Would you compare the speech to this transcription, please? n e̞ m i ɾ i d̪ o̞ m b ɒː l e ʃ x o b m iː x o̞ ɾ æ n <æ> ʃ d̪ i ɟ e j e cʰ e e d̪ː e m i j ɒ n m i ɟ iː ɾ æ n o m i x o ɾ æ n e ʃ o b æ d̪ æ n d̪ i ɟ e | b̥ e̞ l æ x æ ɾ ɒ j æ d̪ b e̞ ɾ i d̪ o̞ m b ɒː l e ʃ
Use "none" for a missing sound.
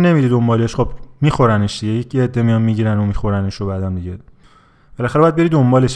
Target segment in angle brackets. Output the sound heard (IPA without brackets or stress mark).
e